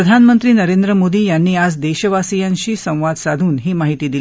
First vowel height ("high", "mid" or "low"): mid